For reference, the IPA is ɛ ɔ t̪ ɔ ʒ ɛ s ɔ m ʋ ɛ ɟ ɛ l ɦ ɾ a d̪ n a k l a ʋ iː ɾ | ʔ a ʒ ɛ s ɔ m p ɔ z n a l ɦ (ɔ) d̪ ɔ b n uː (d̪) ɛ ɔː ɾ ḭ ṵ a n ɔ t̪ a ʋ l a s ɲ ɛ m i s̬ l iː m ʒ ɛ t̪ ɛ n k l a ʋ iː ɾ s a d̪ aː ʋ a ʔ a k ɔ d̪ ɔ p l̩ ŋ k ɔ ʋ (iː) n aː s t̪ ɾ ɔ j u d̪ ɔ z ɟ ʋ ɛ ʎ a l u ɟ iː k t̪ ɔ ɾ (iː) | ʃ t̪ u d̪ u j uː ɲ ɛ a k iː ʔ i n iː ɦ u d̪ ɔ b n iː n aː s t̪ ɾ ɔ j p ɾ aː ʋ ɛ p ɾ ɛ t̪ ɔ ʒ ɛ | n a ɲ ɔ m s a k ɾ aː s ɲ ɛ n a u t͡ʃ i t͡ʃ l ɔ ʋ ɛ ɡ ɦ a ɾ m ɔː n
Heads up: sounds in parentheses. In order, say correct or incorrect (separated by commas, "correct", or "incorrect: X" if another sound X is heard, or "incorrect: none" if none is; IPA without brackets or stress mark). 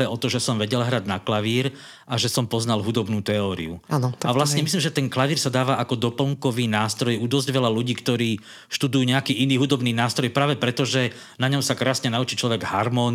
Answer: incorrect: u, incorrect: t̪, correct, correct